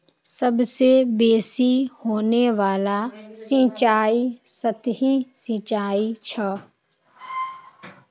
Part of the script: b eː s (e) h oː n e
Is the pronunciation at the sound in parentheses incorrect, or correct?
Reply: incorrect